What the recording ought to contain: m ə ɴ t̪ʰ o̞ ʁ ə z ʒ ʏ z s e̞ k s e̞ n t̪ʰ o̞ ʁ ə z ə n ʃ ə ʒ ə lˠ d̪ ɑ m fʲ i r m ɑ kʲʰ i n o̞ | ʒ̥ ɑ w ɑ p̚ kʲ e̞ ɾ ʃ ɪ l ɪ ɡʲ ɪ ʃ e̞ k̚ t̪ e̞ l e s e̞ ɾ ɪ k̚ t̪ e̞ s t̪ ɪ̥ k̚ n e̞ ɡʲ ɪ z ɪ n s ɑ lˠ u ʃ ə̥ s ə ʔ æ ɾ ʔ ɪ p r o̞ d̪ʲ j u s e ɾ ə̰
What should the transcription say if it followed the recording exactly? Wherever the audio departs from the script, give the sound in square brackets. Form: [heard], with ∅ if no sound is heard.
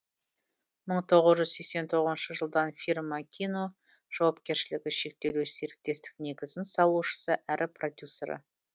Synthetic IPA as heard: m ə ɴ t̪ʰ o̞ ʁ ə z ʒ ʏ z s e̞ k s e̞ n t̪ʰ o̞ ʁ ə z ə n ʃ ə ʒ ə lˠ d̪ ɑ [n] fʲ i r m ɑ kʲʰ i n o̞ | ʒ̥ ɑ w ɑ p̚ kʲ e̞ ɾ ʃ ɪ l ɪ ɡʲ ɪ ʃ e̞ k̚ t̪ e̞ l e s e̞ ɾ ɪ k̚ t̪ e̞ s t̪ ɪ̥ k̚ n e̞ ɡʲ ɪ z ɪ n s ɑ lˠ u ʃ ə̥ s ə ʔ æ ɾ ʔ ɪ p r o̞ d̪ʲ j u s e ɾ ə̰